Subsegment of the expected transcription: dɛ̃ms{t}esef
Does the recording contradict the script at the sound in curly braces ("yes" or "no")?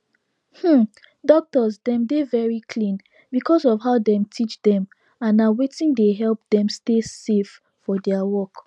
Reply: no